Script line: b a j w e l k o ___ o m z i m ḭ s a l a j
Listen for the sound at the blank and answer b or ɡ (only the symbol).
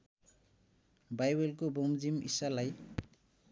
b